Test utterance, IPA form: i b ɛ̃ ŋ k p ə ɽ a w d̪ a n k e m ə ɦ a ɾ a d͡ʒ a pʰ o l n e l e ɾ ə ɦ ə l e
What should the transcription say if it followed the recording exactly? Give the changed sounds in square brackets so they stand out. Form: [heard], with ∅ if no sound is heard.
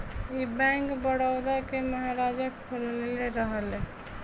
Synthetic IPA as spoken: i b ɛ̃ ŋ k [b] ə ɽ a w d̪ a [∅] k e m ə ɦ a ɾ a d͡ʒ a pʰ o l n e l e ɾ ə ɦ ə l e